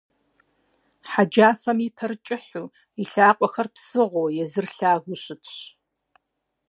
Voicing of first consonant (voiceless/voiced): voiceless